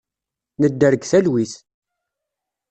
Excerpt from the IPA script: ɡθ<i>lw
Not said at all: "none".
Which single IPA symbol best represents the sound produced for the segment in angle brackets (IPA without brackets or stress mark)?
æ